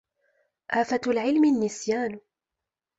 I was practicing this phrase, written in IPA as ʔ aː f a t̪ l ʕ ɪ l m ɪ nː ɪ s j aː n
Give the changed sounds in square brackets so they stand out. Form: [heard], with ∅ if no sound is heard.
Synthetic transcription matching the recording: ʔ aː f a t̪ l ʕ ɪ l m ɪ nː ɪ s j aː n

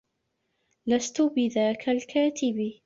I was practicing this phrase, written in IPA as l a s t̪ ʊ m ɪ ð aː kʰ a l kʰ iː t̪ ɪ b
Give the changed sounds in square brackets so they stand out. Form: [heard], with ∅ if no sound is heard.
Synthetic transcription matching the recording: l a s t̪ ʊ [b] ɪ ð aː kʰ a l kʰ [aː] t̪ ɪ b

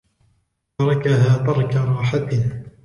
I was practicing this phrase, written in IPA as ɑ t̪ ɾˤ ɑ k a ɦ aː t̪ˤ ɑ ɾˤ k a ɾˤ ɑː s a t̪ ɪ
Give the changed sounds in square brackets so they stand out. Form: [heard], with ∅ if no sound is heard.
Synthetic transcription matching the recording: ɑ [∅] ɾˤ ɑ k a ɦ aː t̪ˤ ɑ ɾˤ k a ɾˤ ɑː [ħ] a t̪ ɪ

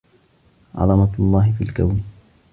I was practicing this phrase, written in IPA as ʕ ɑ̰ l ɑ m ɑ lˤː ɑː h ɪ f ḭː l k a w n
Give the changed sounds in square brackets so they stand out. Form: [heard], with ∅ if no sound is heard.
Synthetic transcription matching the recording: ʕ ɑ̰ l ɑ m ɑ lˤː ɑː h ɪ f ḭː l k a w n

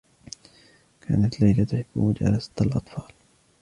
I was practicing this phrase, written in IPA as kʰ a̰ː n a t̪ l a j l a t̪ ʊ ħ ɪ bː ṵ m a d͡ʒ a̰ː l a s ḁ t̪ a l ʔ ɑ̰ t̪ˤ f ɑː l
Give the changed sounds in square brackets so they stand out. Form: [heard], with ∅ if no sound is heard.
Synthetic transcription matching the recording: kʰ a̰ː n a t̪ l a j l a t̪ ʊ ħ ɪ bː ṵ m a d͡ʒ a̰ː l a s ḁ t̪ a l ʔ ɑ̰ t̪ˤ f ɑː l

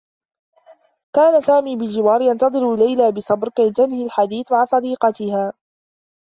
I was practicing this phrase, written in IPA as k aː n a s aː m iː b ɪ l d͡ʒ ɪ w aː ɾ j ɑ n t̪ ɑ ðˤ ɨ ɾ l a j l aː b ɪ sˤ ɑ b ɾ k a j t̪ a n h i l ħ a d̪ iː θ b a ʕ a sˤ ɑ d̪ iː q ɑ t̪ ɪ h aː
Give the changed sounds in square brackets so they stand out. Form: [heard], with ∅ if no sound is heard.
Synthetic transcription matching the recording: k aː n a s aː m iː b ɪ l d͡ʒ ɪ w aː ɾ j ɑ n t̪ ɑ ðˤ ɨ ɾ l a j l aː b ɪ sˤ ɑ b ɾ k a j t̪ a n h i l ħ a d̪ iː θ [m] a ʕ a sˤ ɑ d̪ iː q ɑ t̪ ɪ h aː

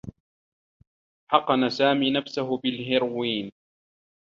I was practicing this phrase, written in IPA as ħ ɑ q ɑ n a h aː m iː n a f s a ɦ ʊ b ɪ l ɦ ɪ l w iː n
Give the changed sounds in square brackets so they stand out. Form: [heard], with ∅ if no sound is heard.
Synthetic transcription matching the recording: ħ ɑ q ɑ n a [s] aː m iː n a f s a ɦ ʊ b ɪ l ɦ ɪ [ɾ] w iː n

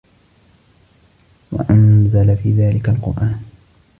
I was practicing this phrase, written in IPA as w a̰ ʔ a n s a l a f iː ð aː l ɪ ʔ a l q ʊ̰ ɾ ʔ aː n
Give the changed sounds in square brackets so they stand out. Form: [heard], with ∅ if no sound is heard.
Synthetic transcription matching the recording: w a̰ ʔ a n [z] a l a f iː ð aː l ɪ [k] a l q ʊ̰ ɾ ʔ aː n

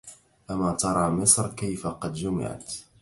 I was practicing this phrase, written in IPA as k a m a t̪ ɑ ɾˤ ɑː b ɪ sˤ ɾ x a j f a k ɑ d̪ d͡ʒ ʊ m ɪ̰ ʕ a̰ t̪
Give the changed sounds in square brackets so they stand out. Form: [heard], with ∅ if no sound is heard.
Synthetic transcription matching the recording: [ʔ] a m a t̪ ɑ ɾˤ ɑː [m] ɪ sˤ ɾ [k] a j f a [q] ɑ d̪ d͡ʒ ʊ m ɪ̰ ʕ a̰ t̪

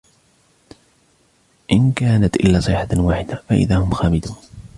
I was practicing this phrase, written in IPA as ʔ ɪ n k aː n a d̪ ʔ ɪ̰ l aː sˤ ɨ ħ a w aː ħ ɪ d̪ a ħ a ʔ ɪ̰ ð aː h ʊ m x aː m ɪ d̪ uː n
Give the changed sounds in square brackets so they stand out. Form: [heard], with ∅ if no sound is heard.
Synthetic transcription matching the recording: ʔ ɪ n k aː n a [t̪] ʔ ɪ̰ [lː] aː sˤ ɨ ħ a w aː ħ ɪ d̪ a [f] a ʔ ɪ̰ ð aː h ʊ m x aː m ɪ d̪ uː n

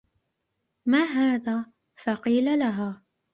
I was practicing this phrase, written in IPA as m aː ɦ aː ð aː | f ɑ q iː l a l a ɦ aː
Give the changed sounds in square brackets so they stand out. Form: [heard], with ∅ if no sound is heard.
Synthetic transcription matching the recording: m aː ɦ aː ð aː | f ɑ q iː l a l a ɦ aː

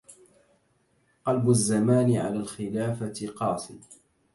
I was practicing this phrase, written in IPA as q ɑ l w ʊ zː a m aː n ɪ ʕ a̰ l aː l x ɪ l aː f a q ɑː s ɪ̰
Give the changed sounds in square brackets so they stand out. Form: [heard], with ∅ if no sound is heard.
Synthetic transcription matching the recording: q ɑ l [b] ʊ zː a m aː n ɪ ʕ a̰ l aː l x ɪ l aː f a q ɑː s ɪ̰

